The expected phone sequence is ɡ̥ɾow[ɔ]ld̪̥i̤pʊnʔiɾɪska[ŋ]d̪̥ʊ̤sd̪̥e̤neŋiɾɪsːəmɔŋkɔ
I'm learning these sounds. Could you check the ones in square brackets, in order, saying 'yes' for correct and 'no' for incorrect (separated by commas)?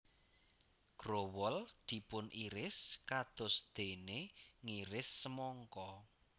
yes, no